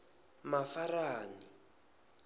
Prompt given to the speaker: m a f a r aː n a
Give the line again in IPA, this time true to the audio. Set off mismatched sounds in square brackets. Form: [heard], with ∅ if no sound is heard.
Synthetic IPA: m a f a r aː n [i]